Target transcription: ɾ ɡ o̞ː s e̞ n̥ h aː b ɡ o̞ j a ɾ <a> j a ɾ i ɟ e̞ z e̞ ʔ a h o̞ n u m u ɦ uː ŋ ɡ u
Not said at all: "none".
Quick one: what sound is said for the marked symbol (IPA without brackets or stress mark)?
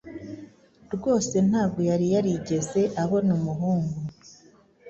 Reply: i